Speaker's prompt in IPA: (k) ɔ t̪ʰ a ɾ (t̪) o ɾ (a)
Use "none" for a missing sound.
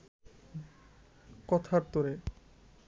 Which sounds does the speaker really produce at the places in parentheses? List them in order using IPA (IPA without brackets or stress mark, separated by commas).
k, t̪, e